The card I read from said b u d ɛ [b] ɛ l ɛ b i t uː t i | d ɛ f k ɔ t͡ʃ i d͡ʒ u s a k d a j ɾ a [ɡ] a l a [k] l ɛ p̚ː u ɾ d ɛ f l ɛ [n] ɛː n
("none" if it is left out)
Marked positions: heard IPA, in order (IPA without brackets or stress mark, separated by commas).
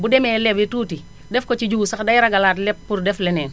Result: m, ɡ, t, n